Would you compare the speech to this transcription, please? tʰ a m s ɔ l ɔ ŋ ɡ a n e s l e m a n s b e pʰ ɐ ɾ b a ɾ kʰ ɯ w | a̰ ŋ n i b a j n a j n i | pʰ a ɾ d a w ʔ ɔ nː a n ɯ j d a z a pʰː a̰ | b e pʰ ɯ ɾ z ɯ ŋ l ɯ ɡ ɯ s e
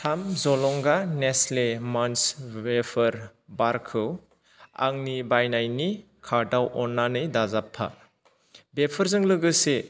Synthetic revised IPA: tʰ a m z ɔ l ɔ ŋ ɡ a n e s l e m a n s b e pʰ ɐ ɾ b a ɾ kʰ ɯ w | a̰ ŋ n i b a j n a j n i | kʰ a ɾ d a w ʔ ɔ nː a n ɯ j d a z a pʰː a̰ | b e pʰ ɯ ɾ z ɯ ŋ l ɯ ɡ ɯ s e

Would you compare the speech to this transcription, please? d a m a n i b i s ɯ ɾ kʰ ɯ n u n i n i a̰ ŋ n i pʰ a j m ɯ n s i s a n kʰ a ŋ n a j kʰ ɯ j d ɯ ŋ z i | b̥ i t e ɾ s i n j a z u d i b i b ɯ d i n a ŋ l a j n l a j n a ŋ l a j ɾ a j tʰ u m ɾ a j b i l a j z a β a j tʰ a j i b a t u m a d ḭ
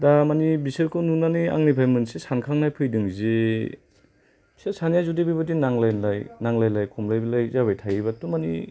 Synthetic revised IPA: d a m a n i b i s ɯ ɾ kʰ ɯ n u n a n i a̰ ŋ n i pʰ a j m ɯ n s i s a n kʰ a ŋ n a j pʰ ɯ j d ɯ ŋ z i | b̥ i s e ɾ s a n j a z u d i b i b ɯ d i n a ŋ l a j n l a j n a ŋ l a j l a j kʰ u m l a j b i l a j z a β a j tʰ a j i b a t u m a n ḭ

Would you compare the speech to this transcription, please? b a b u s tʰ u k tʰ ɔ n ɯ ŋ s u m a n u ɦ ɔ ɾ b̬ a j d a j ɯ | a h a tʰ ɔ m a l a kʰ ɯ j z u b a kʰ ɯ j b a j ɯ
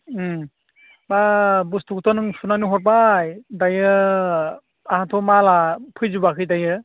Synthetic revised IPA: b a b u s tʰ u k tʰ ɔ n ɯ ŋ s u n a n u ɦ ɔ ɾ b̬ a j d a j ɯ | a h a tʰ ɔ m a l a pʰ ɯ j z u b a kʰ ɯ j d a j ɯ

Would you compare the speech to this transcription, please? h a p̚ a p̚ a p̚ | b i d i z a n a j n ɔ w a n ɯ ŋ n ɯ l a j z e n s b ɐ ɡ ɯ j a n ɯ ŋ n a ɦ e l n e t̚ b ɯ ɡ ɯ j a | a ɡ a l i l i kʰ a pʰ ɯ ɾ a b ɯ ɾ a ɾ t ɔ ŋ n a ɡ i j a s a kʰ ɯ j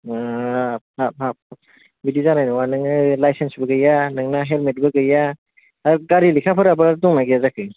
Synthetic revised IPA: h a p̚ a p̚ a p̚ | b i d i z a n a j n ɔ w a n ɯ ŋ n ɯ l a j s e n s b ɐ ɡ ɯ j a n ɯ ŋ n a ɦ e l m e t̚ b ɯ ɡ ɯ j a | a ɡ a ɾ i l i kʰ a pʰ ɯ ɾ a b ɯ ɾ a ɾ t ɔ ŋ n a ɡ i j a z a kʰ ɯ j

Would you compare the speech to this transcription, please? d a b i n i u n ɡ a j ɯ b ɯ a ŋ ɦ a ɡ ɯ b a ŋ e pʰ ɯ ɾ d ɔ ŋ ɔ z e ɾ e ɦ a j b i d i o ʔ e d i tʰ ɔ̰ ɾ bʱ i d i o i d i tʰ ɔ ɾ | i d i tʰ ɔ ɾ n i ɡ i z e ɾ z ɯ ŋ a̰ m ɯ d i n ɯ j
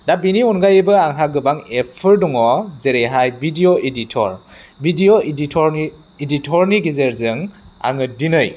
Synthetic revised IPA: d a b i n i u n ɡ a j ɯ b ɯ a ŋ ɦ a ɡ ɯ b a ŋ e pʰ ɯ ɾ d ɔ ŋ ɔ z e ɾ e ɦ a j b i d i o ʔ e d i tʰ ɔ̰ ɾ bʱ i d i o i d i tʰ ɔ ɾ | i d i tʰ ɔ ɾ n i ɡ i z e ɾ z ɯ ŋ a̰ ŋ ɯ d i n ɯ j

